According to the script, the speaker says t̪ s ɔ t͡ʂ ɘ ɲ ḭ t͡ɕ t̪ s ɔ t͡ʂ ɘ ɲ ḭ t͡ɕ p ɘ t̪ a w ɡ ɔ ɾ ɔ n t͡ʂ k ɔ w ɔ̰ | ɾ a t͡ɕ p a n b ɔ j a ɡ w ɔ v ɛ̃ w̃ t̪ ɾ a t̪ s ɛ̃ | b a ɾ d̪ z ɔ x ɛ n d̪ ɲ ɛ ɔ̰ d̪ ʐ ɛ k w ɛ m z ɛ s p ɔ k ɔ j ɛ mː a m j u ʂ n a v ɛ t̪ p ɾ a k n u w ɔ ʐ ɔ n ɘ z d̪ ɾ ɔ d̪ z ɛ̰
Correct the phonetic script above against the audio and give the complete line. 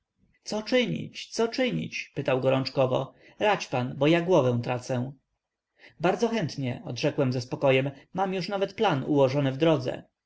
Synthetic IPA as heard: t̪ s ɔ t͡ʂ ɘ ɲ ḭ t͡ɕ t̪ s ɔ t͡ʂ ɘ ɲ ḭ t͡ɕ p ɘ t̪ a w ɡ ɔ ɾ ɔ n t͡ʂ k ɔ v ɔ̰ | ɾ a t͡ɕ p a n b ɔ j a ɡ w ɔ v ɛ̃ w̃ t̪ ɾ a t̪ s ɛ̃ | b a ɾ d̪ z ɔ x ɛ n t̪ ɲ ɛ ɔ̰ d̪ ʐ ɛ k w ɛ m z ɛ s p ɔ k ɔ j ɛ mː a m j u ʂ n a v ɛ t̪ p l a n u w ɔ ʐ ɔ n ɘ v d̪ ɾ ɔ d̪ z ɛ̰